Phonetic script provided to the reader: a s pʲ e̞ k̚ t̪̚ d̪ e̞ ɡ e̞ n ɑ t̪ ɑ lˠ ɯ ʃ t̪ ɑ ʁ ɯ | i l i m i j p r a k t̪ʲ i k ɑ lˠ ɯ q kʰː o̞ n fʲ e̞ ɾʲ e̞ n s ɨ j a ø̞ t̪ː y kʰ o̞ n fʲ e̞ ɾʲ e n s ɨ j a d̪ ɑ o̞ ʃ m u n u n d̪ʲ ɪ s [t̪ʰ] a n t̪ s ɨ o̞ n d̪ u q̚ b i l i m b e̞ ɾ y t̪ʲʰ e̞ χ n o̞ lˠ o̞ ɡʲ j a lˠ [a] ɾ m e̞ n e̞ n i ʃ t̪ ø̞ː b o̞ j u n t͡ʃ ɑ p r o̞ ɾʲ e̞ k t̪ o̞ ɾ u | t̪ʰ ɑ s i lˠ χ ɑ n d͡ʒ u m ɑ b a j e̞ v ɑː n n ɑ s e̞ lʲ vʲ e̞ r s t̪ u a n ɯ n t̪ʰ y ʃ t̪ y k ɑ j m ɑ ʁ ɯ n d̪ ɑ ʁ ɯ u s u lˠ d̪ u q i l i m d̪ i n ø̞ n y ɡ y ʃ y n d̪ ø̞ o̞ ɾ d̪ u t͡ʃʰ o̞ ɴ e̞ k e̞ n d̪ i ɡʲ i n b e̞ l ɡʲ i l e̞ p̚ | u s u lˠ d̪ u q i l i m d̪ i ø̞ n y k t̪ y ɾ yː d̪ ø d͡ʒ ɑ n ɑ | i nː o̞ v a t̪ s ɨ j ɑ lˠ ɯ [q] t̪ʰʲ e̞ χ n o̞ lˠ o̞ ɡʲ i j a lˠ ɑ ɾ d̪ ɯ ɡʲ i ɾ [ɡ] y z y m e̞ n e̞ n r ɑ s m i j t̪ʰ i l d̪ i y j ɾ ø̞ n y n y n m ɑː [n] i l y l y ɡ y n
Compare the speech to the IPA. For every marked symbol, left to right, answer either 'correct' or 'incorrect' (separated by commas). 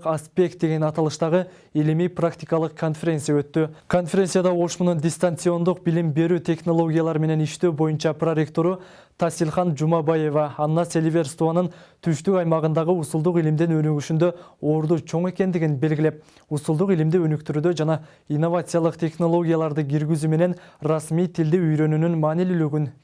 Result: incorrect, incorrect, correct, correct, correct